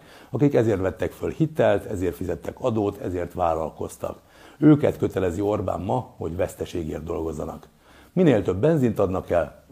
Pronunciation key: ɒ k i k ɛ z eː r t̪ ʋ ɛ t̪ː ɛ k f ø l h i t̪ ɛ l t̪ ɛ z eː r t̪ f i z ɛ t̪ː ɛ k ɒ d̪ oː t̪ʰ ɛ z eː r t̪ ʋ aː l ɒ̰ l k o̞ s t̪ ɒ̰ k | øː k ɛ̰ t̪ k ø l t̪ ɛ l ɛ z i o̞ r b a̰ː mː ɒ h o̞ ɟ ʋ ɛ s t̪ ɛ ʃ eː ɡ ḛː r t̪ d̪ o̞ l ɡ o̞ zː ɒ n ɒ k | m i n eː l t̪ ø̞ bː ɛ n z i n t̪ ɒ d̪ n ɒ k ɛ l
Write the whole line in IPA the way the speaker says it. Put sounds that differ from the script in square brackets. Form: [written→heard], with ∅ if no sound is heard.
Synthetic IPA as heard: ɒ k i k ɛ z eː r t̪ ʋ ɛ t̪ː ɛ k f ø l h i t̪ ɛ l t̪ ɛ z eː r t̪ f i z ɛ t̪ː ɛ k ɒ d̪ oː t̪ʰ ɛ z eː r t̪ ʋ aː l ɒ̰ l k o̞ s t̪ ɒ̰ k | øː k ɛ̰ t̪ k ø [l→∅] t̪ ɛ l ɛ z i o̞ r b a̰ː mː ɒ h o̞ ɟ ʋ ɛ s t̪ ɛ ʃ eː ɡ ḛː r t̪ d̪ o̞ l ɡ o̞ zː ɒ n ɒ k | m i n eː l t̪ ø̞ bː ɛ n z i n t̪ ɒ d̪ n ɒ k ɛ l